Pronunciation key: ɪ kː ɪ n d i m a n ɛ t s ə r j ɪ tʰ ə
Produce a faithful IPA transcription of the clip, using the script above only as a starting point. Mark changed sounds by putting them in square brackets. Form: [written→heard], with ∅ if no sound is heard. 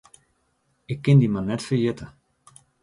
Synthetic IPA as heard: ɪ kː ɪ n d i m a n ɛ t [s→f] ə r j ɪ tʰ ə